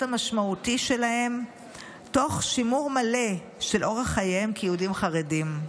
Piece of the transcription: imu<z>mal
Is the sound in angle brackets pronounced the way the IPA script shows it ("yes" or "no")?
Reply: no